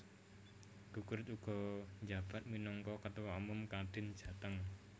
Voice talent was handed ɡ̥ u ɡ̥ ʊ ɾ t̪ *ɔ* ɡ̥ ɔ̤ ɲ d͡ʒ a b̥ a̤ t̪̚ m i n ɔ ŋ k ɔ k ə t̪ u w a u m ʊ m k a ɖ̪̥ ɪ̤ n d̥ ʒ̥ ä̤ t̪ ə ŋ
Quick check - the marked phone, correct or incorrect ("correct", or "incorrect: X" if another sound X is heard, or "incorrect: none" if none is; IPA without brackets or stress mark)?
incorrect: u